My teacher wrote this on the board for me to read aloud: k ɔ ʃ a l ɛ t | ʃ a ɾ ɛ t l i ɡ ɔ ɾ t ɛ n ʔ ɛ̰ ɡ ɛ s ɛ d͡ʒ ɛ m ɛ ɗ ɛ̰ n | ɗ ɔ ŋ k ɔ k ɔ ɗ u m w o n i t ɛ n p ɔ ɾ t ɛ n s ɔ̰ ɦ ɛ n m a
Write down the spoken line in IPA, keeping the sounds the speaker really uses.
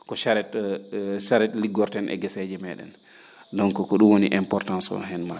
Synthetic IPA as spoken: k ɔ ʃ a ɾ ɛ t | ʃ a ɾ ɛ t l i ɡ ɔ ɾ t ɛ n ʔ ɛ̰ ɡ ɛ s ɛ d͡ʒ ɛ m ɛ ɗ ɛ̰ n | d ɔ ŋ k ɔ k ɔ ɗ u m w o n i ʔ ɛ m p ɔ ɾ t a n s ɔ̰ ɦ ɛ n m a